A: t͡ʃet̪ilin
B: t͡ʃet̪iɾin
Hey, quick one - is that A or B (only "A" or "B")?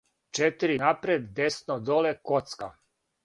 B